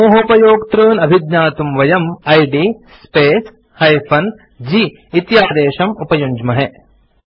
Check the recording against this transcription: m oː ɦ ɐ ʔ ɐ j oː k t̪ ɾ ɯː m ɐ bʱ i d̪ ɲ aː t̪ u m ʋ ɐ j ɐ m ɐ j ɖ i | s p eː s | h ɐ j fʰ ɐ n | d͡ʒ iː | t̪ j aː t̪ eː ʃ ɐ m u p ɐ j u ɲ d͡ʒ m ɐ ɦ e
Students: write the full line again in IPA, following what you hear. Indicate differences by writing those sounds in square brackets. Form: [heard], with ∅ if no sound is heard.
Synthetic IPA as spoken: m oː ɦ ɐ [p] ɐ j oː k t̪ ɾ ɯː [n] ɐ bʱ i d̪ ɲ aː t̪ u m ʋ ɐ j ɐ m ɐ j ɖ i | s p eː s | h ɐ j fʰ ɐ n | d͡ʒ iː | t̪ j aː [d̪] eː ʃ ɐ m u p ɐ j u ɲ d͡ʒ m ɐ ɦ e